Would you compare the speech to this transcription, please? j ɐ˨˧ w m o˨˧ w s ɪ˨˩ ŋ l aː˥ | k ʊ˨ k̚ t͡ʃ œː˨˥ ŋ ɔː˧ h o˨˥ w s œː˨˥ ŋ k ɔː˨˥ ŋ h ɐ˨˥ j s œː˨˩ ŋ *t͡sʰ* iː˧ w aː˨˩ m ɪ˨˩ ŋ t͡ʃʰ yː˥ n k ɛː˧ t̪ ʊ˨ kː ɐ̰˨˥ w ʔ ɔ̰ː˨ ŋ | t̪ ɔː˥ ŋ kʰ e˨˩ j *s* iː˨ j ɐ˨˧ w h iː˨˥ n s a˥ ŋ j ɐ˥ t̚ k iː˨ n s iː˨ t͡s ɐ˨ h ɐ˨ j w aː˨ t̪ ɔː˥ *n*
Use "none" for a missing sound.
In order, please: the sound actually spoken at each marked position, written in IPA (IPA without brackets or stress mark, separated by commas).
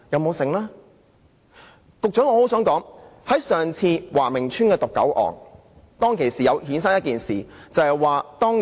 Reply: t͡sʰ, s, ŋ